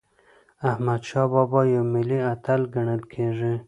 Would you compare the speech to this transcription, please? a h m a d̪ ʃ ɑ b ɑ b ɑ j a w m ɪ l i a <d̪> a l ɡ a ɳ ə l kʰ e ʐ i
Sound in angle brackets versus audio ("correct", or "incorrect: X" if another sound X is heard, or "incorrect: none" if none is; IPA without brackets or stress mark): incorrect: t̪